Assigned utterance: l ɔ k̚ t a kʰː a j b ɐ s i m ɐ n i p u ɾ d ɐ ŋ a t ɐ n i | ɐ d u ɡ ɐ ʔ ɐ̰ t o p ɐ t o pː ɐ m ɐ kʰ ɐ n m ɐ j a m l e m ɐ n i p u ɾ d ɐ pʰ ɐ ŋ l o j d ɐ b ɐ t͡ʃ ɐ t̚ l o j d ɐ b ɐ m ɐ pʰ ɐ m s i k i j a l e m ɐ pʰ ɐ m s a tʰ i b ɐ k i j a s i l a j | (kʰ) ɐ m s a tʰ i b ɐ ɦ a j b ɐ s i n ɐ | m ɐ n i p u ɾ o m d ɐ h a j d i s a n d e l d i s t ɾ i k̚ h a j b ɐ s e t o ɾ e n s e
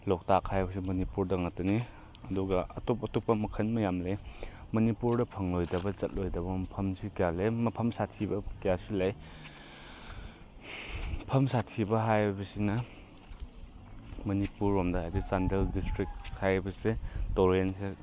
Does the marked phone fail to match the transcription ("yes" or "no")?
yes